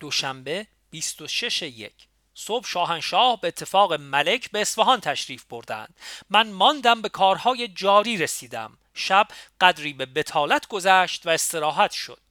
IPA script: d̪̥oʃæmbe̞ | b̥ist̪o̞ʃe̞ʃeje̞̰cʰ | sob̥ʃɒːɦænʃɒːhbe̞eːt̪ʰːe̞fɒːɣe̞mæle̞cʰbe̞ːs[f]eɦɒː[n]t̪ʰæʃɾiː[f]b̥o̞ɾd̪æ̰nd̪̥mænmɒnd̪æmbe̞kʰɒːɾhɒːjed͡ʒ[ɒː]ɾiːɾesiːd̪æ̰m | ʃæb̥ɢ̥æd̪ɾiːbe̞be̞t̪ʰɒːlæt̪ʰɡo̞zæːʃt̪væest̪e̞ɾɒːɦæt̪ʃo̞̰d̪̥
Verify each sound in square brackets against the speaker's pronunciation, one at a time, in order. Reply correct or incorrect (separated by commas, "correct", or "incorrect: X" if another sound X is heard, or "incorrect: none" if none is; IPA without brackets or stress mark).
correct, correct, correct, correct